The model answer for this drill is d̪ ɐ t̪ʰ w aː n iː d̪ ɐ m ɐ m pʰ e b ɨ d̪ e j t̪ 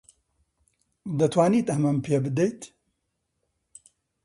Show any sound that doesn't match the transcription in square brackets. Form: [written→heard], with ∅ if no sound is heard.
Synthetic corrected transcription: d̪ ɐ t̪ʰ w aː n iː [d̪→t̪] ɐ m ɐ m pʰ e b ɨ d̪ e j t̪